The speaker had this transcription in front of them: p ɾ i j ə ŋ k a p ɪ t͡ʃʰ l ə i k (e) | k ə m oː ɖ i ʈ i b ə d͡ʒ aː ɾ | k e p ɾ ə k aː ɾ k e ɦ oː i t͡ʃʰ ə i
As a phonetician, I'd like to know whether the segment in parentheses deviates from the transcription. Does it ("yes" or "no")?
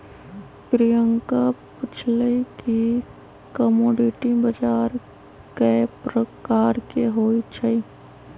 yes